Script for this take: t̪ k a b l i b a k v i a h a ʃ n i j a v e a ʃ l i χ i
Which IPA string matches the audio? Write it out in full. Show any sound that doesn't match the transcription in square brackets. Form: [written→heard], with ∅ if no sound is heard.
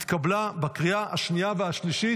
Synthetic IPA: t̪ k a b l [i→a] b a k [v→ʁ] i a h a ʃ n i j a v e a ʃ l i [χ→ʃ] i